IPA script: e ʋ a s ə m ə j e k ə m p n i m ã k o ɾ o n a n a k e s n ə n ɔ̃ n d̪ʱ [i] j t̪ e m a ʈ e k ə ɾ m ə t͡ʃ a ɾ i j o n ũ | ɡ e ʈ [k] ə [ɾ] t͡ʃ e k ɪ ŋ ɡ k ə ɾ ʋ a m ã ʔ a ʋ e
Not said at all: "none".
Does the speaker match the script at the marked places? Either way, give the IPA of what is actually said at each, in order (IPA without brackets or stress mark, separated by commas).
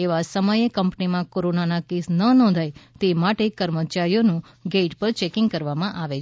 a, p, ɾ